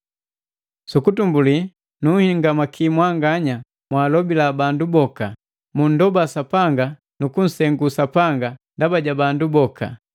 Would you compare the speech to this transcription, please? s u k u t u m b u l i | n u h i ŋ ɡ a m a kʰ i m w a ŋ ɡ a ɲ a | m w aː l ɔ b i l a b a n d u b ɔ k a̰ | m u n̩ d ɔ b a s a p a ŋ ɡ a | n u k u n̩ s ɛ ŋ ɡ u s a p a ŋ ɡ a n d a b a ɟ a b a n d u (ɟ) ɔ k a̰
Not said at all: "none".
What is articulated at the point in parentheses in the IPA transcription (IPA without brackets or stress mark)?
b